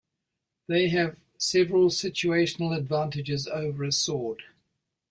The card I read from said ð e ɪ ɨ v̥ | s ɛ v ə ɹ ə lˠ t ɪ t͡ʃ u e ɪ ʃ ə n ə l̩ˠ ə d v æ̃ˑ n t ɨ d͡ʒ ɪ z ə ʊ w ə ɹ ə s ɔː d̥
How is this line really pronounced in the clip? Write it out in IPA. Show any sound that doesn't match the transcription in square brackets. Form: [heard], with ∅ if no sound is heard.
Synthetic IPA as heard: ð e ɪ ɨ v̥ | s ɛ v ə ɹ ə lˠ [s] ɪ t͡ʃ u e ɪ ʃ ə n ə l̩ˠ ə d v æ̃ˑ n t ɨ d͡ʒ ɪ z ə ʊ [v] ə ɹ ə s ɔː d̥